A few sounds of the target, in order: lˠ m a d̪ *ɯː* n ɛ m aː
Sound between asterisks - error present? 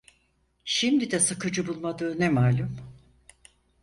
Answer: no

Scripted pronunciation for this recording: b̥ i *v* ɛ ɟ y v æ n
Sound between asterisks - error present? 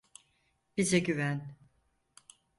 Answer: yes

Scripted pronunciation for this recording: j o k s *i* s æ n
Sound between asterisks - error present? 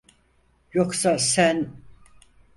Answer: yes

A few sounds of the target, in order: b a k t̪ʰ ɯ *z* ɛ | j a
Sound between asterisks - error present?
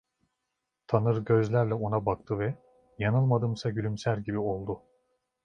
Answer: yes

